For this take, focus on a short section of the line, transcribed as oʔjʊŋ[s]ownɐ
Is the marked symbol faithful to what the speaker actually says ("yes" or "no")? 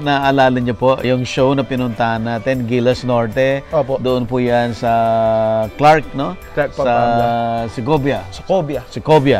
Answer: no